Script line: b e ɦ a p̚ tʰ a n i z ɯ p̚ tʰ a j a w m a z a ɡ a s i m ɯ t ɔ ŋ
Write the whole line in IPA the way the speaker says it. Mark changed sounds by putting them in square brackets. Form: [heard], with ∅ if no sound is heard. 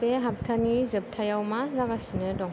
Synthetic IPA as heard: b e ɦ a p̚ tʰ a n i z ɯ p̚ tʰ a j a w m a z a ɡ a s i [n] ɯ [d] ɔ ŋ